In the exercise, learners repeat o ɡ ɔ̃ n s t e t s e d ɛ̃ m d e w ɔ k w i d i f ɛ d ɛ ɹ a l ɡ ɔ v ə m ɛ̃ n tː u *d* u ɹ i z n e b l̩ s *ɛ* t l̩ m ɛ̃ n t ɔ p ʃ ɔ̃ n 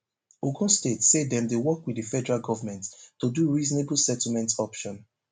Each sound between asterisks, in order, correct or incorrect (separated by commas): correct, correct